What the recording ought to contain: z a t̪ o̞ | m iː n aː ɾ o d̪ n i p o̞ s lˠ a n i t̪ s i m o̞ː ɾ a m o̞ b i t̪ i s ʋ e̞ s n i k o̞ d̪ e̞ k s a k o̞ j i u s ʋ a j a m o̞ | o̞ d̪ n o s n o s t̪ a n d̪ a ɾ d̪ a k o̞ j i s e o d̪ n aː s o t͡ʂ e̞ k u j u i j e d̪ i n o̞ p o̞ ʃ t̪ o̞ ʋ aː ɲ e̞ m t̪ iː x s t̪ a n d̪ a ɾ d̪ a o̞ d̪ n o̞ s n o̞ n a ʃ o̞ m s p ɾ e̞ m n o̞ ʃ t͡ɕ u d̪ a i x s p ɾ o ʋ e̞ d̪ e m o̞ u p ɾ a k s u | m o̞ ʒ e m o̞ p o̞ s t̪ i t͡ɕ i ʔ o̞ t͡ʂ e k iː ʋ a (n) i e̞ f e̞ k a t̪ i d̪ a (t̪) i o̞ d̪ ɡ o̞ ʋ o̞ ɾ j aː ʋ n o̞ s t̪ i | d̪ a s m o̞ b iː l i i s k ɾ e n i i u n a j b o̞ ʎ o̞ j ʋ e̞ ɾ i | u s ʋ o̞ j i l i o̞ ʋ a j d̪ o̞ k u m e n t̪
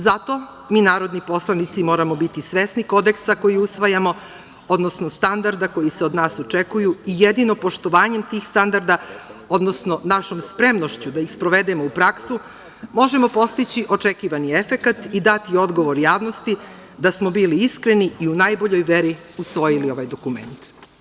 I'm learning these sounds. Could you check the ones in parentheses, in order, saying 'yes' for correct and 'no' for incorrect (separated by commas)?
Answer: yes, yes